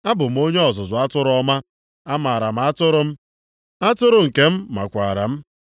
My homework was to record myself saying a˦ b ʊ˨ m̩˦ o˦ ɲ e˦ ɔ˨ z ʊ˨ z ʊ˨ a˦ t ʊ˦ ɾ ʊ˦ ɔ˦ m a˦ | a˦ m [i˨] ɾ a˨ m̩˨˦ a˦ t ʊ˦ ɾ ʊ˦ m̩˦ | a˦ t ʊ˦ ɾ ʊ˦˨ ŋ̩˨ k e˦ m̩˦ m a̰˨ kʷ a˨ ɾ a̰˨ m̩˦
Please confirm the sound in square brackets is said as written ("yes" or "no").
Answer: no